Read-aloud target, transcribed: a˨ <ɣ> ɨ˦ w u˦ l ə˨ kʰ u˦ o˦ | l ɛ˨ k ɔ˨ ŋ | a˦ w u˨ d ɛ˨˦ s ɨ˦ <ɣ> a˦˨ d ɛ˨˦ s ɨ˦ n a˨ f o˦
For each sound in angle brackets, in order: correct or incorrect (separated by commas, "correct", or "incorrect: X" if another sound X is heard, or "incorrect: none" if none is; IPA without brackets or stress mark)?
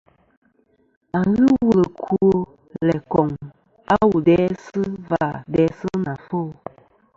correct, incorrect: v